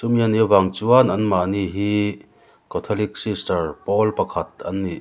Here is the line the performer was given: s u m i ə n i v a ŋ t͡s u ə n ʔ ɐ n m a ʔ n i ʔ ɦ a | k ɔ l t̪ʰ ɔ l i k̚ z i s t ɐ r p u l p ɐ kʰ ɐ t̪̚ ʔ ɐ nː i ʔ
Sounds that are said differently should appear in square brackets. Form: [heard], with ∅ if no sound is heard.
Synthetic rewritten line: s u m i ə n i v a ŋ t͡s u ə n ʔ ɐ n m a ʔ n i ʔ ɦ [i] | k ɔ [∅] t̪ʰ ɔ l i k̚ [s] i s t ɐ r p [ɔ] l p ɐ kʰ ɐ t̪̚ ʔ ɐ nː i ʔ